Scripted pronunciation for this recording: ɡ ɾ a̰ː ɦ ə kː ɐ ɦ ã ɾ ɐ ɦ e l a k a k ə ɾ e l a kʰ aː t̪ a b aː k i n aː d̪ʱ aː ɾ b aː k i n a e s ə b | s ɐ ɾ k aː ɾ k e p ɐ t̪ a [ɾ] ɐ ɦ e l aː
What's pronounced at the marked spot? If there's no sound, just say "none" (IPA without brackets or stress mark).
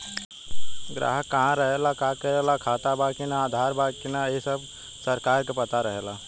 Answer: ɾ